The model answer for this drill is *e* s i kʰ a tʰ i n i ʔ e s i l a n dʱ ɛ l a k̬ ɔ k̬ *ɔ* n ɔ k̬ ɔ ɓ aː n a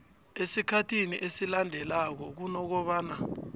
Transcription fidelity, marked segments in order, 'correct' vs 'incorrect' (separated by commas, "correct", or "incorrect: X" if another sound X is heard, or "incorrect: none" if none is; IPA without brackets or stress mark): correct, incorrect: u